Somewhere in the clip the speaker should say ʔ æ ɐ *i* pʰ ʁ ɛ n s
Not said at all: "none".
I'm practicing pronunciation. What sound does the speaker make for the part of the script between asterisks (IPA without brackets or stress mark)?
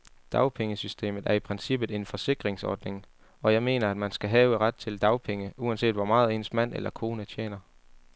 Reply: i